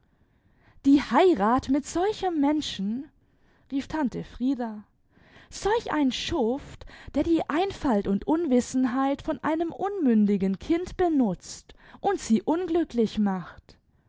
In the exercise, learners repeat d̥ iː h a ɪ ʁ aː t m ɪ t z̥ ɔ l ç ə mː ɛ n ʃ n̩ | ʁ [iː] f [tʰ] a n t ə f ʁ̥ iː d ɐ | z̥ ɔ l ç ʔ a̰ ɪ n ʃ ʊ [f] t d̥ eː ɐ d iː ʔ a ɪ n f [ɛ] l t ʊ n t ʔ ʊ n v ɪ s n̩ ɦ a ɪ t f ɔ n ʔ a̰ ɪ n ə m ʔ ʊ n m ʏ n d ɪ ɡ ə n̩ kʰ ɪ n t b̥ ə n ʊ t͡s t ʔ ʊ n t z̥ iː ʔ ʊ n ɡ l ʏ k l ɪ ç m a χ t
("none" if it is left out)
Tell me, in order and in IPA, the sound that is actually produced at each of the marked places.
iː, tʰ, f, a

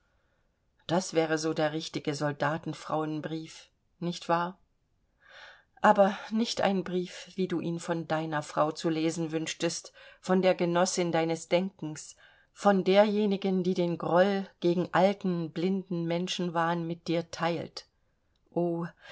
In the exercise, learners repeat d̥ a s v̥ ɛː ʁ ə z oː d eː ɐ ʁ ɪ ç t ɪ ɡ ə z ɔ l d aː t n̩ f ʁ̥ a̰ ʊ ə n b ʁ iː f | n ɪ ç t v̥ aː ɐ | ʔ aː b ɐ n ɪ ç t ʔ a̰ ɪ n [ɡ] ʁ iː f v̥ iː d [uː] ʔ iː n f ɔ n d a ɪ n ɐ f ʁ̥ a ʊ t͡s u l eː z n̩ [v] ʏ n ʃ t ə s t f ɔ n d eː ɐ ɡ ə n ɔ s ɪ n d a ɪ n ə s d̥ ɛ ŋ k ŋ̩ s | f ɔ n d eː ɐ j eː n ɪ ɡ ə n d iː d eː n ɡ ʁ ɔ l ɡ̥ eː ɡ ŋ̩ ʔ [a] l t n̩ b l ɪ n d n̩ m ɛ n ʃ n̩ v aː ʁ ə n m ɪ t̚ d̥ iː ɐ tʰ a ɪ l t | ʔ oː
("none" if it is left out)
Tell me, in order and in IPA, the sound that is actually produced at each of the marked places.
b, uː, v, a

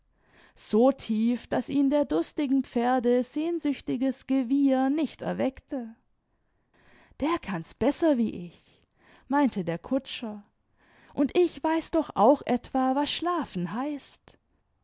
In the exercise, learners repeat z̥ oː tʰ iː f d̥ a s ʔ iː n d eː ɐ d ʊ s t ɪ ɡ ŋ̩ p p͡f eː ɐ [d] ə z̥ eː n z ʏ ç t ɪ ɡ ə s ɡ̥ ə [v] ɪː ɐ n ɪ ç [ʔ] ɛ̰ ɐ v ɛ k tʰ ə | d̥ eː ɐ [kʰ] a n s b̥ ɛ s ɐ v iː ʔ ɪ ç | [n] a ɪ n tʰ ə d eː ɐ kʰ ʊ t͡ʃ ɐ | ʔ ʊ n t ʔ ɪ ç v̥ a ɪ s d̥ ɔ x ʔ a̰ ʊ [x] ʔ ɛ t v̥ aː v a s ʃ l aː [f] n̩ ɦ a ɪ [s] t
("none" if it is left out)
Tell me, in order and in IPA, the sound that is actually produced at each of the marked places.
d, v, t, kʰ, m, x, f, s

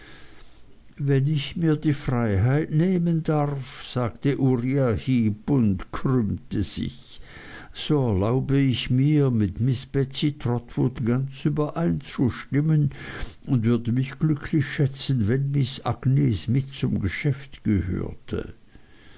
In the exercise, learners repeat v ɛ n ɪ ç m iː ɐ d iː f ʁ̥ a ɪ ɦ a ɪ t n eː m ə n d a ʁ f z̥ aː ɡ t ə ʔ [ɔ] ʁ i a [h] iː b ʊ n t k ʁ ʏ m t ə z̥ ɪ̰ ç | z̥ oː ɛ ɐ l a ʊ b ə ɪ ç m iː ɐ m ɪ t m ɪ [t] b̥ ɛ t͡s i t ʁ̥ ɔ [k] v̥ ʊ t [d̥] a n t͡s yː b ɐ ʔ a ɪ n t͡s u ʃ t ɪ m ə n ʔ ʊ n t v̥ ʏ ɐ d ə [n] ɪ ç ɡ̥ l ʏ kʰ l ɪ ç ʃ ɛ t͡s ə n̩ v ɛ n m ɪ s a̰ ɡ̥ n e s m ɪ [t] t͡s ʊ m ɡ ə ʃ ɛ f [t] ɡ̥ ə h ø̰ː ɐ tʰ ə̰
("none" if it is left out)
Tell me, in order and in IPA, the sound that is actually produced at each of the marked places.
u, h, s, t, ɡ̥, m, t, t

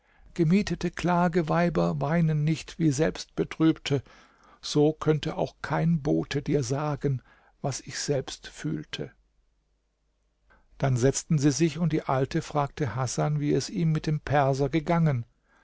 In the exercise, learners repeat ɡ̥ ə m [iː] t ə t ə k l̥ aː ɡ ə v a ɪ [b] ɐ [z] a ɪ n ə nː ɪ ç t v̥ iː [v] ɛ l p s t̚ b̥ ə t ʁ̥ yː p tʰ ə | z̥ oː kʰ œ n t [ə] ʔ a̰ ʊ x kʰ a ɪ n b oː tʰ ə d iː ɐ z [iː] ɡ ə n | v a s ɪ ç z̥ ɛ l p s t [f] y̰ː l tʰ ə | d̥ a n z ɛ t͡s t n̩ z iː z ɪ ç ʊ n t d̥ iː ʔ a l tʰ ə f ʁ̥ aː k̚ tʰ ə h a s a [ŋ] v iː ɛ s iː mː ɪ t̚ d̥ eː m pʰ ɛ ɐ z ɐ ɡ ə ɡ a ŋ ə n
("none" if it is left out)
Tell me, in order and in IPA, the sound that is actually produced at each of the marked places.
iː, b, v, z, ə, aː, f, n

